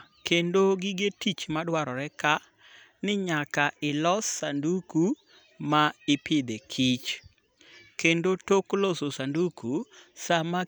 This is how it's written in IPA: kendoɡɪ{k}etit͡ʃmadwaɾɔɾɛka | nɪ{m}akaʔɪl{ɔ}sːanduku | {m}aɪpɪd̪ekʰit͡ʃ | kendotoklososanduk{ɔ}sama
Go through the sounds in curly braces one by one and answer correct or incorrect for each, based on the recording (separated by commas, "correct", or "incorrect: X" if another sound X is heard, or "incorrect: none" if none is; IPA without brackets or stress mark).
incorrect: ɡ, incorrect: ɲ, correct, correct, incorrect: u